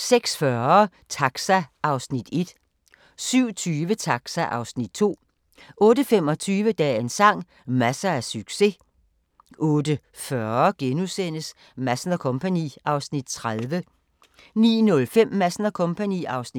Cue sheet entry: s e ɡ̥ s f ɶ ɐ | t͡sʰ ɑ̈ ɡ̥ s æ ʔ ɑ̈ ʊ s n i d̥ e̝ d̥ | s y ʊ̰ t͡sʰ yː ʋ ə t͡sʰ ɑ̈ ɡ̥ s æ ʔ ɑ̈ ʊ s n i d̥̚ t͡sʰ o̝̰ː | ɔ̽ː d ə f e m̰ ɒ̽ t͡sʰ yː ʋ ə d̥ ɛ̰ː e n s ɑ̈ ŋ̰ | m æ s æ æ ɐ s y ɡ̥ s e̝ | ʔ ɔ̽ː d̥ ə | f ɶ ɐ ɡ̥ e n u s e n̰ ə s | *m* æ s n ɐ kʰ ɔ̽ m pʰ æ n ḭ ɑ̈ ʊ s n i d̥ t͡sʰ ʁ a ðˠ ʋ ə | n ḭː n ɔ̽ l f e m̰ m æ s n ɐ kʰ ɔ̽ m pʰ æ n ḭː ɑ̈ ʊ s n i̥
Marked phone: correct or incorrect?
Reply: correct